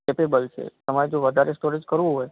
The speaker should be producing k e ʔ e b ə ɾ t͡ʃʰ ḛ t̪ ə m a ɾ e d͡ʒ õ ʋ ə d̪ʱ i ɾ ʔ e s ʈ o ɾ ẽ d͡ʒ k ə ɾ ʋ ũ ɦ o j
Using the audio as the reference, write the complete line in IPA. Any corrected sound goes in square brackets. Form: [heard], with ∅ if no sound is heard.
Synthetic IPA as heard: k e [p] e b ə [l] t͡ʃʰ ḛ t̪ ə m a ɾ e d͡ʒ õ ʋ ə d̪ʱ [a] ɾ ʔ e s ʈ o ɾ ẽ d͡ʒ k ə ɾ ʋ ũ ɦ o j